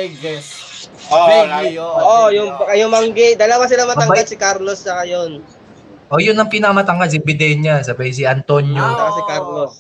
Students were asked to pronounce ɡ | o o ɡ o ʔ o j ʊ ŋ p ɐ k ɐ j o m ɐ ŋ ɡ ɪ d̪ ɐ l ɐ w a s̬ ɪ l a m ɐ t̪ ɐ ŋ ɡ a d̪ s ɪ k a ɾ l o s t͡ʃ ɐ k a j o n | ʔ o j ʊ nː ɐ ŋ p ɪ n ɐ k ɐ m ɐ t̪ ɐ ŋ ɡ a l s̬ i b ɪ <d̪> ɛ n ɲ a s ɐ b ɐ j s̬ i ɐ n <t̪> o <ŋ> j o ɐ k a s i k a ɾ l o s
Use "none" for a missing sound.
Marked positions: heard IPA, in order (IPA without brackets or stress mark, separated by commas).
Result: d̪, t̪, n